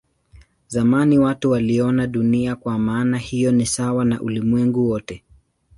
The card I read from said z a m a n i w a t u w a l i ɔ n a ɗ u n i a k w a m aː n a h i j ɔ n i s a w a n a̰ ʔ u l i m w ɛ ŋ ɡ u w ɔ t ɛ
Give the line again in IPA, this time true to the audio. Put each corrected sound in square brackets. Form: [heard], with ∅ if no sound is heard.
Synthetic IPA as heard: z a m a n i w a t u w a l i ɔ n a ɗ u n i a k w a m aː n a h i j ɔ n i s a w a n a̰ ʔ u l i m w ɛ ŋ ɡ u w ɔ t ɛ